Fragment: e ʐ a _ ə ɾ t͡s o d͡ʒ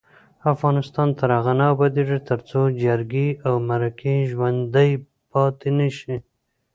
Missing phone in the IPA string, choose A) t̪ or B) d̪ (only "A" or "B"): A